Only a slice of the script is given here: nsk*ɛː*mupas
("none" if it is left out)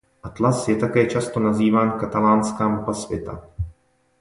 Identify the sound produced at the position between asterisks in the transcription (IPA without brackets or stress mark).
aː